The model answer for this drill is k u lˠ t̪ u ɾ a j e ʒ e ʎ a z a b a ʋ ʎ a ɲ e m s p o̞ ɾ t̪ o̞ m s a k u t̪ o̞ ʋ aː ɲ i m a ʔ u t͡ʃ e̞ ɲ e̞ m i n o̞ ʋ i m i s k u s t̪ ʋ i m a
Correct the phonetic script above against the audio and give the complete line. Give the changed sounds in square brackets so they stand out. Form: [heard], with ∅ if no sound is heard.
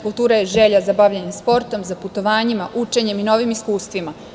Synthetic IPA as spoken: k u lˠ t̪ [uː] ɾ a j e ʒ e ʎ a z a b a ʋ ʎ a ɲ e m s p o̞ ɾ t̪ o̞ m [z] a [p] u t̪ o̞ ʋ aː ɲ i m a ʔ u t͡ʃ e̞ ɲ e̞ m i n o̞ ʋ i m i s k [uː] s t̪ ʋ i m a